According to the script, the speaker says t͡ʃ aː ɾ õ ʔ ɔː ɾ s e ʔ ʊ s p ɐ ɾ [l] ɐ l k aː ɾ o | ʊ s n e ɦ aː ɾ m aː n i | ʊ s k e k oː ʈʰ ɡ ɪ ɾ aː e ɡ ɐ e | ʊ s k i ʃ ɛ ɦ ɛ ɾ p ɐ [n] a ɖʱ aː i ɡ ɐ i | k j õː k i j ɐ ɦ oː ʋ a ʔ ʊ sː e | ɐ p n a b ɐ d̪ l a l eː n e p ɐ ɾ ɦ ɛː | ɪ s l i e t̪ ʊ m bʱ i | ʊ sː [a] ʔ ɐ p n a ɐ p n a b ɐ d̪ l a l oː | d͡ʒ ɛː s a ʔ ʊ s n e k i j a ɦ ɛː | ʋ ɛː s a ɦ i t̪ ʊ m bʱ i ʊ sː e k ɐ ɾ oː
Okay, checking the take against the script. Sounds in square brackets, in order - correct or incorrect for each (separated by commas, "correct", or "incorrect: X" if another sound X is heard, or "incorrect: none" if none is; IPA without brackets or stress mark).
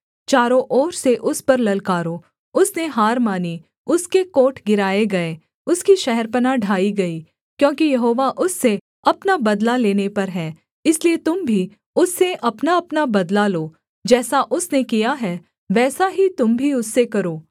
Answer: correct, correct, incorrect: e